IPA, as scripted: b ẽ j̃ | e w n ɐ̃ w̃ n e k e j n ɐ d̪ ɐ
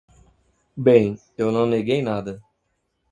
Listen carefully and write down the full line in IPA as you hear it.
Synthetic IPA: b ẽ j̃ | e w n ɐ̃ w̃ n e ɡ e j n a d̪ ɐ